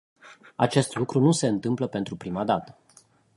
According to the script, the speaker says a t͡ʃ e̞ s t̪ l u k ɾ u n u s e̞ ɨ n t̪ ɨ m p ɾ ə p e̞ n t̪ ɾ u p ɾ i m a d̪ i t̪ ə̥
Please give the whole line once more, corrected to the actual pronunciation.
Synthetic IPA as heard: a t͡ʃ e̞ s t̪ l u k ɾ u n u s e̞ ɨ n t̪ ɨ m p l ə p e̞ n t̪ ɾ u p ɾ i m a d̪ a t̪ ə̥